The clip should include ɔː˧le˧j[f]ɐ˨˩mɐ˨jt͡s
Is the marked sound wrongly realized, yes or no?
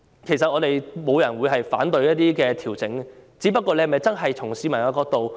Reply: yes